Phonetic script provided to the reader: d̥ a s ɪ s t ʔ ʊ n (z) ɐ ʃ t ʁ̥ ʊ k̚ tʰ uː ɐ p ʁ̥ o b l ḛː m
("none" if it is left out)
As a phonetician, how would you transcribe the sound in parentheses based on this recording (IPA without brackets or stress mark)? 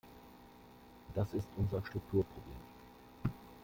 z